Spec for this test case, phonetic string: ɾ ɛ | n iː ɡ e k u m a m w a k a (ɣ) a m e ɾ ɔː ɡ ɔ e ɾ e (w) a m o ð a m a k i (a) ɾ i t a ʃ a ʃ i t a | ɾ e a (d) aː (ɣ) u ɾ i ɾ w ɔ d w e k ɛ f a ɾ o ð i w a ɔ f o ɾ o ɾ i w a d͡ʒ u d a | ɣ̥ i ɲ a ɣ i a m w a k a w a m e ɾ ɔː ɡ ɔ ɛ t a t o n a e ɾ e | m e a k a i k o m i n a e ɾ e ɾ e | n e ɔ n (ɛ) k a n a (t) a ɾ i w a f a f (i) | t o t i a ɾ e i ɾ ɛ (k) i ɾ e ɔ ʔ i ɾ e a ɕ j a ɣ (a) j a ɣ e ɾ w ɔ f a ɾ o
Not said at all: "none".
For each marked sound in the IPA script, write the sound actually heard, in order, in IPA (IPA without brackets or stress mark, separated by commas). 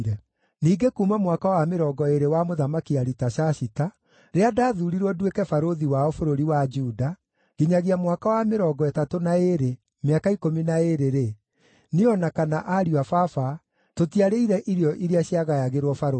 w, w, a, d, ð, a, ʔ, a, ʔ, a